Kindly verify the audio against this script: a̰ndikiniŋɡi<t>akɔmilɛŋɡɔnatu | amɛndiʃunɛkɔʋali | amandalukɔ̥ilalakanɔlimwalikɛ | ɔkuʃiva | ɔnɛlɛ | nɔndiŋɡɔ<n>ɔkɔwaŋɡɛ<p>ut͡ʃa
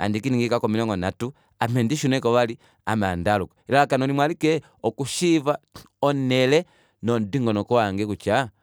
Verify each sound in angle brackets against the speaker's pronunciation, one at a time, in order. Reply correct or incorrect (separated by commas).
incorrect, correct, incorrect